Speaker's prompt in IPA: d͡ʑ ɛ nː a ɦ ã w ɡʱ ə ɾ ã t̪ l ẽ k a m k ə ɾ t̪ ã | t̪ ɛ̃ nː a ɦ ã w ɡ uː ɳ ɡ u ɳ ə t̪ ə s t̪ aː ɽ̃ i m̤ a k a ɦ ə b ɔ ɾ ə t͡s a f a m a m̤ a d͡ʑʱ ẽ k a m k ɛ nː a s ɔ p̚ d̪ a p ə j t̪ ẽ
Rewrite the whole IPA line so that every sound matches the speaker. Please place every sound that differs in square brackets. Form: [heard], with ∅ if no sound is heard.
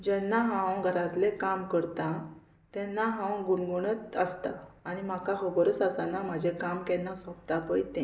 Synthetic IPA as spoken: d͡ʑ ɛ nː a ɦ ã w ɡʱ ə ɾ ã t̪ l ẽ k a m k ə ɾ t̪ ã | t̪ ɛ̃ nː a ɦ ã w ɡ [u] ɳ ɡ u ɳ ə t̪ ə s t̪ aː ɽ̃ i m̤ a k a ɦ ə b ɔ ɾ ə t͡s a [s] a [n] a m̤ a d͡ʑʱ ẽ k a m k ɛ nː a s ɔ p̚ [t̪] a p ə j t̪ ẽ